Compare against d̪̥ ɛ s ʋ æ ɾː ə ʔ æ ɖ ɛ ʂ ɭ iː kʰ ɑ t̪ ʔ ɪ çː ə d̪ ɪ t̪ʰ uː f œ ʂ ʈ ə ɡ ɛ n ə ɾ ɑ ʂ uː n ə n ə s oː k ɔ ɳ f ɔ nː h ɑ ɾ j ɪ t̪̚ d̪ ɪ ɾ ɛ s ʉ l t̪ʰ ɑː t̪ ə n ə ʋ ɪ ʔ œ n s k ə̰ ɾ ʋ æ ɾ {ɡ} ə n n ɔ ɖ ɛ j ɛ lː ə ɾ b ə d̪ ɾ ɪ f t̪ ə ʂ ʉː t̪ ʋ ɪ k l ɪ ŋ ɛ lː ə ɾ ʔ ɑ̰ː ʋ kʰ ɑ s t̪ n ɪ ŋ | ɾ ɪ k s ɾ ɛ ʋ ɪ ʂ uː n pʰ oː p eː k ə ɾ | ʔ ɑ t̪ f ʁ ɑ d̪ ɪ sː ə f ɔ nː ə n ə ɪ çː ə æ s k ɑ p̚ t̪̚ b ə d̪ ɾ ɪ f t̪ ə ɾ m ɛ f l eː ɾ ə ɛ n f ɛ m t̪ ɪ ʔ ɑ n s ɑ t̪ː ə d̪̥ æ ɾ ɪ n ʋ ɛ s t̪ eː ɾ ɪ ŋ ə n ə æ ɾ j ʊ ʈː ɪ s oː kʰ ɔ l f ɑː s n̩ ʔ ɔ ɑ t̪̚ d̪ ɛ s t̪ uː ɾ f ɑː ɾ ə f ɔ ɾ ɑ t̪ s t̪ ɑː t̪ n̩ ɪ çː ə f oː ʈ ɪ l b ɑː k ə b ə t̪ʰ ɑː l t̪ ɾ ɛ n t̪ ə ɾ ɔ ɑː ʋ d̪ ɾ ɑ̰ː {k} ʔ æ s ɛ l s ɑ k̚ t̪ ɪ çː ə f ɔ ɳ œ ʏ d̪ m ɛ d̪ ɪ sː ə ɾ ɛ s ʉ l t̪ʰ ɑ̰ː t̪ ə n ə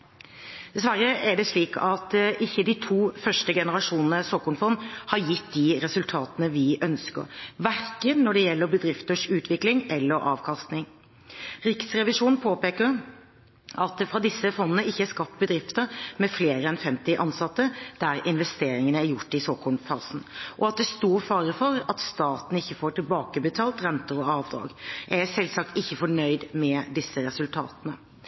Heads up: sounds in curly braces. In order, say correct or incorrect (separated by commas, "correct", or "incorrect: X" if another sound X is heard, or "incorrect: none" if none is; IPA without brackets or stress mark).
incorrect: k, incorrect: ɡ